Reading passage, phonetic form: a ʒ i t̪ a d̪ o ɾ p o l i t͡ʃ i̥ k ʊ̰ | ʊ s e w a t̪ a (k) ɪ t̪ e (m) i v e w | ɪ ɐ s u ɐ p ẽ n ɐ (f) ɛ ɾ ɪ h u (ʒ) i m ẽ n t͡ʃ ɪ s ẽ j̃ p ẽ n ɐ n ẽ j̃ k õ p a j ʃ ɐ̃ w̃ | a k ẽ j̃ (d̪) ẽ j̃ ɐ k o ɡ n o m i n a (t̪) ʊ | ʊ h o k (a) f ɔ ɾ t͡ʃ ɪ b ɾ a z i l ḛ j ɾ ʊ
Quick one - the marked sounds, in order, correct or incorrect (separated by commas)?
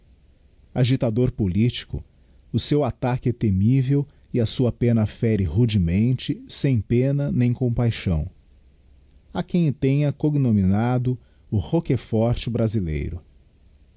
correct, correct, correct, incorrect, incorrect, incorrect, incorrect